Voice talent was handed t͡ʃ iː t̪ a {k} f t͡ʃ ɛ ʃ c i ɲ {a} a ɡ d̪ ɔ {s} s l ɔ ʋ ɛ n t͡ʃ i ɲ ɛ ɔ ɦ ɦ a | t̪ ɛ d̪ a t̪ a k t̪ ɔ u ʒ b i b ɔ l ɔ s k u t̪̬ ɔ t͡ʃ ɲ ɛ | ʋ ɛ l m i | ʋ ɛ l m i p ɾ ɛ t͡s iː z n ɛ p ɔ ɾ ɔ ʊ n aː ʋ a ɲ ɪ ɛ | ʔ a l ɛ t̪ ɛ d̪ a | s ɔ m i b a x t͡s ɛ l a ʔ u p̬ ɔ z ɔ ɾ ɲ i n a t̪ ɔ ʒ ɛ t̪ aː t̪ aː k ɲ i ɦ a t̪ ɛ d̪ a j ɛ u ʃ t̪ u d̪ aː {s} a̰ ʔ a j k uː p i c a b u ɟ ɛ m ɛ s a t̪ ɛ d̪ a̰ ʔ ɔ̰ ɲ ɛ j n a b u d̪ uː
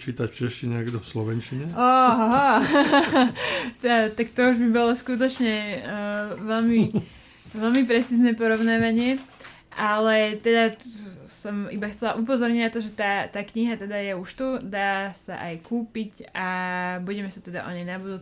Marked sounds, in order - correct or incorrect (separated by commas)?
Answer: incorrect, incorrect, incorrect, correct